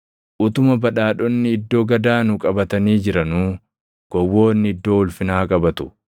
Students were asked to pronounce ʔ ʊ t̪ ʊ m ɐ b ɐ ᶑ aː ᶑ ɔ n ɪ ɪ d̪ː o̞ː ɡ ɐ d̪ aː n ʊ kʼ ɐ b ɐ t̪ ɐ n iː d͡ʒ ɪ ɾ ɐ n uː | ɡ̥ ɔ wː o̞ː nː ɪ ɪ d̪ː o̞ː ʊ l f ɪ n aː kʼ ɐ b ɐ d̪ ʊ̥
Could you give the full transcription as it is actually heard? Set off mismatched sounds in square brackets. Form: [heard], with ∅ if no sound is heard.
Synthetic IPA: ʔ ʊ t̪ ʊ m ɐ b ɐ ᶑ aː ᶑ ɔ [nː] ɪ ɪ d̪ː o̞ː ɡ ɐ d̪ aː n ʊ kʼ ɐ b ɐ t̪ ɐ n iː d͡ʒ ɪ ɾ ɐ n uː | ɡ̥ ɔ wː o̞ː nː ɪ ɪ d̪ː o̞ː ʊ l f ɪ n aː kʼ ɐ b ɐ [t̪] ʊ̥